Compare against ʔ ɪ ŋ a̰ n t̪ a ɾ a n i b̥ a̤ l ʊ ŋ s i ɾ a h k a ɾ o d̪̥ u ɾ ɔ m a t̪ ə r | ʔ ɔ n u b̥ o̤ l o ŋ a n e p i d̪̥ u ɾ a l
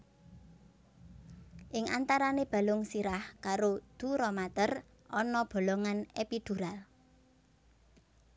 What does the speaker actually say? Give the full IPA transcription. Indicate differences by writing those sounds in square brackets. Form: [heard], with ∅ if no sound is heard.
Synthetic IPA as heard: ʔ ɪ ŋ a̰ n t̪ a ɾ a n [e] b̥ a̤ l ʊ ŋ s i ɾ a h k a ɾ o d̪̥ u ɾ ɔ m a t̪ ə r | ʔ ɔ n [ɔ] b̥ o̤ l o ŋ a n e p i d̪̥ u ɾ a l